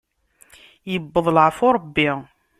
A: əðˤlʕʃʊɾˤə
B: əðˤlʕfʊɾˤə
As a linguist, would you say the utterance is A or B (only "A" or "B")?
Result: B